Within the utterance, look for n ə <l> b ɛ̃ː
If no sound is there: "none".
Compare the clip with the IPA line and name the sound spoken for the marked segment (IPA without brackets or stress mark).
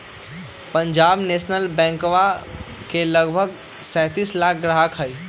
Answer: l